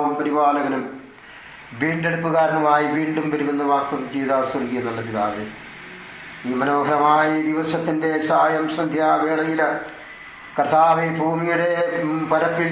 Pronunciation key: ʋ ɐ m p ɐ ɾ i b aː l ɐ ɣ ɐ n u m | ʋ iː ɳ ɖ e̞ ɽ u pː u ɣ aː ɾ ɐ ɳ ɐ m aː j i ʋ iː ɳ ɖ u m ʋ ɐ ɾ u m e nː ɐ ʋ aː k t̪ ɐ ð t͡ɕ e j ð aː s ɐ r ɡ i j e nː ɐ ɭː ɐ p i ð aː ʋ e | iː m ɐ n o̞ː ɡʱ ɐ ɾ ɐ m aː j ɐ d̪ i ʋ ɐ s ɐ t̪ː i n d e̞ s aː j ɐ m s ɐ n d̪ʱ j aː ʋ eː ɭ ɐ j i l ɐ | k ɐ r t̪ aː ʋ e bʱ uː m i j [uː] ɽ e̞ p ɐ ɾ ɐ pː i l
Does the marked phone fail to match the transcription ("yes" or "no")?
yes